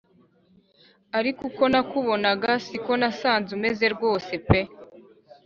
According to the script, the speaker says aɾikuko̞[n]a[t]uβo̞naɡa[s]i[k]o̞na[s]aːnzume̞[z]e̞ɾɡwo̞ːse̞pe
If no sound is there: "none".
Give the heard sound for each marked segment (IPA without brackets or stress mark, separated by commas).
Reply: n, k, s, k, s, z